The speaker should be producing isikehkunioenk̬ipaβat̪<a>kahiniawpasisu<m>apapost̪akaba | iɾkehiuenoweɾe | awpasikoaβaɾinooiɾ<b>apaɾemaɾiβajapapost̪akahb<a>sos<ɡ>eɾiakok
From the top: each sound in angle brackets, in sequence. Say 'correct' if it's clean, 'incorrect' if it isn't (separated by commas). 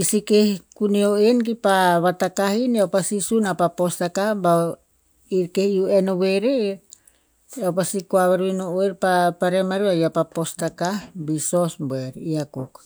correct, incorrect, incorrect, incorrect, incorrect